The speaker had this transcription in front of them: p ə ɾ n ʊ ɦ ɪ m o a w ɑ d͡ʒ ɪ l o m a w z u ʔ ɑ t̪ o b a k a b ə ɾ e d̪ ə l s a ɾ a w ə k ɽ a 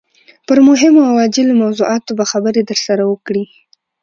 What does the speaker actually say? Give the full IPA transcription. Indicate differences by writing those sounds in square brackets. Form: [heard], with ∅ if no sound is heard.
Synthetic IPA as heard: p ə ɾ [m] ʊ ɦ ɪ m o a w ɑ d͡ʒ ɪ l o m a w z u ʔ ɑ t̪ o b a [x] a b ə ɾ e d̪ ə [ɾ] s a ɾ a w ə k ɽ [i]